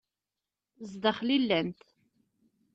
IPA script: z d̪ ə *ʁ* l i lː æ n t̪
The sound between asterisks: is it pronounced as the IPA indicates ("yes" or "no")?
no